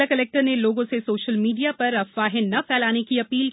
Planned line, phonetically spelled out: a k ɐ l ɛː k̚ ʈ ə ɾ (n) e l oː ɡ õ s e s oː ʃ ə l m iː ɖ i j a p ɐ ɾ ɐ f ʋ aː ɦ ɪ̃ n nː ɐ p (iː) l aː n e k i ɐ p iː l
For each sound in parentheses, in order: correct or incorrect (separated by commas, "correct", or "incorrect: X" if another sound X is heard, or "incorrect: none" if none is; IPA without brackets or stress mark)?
correct, incorrect: ɛː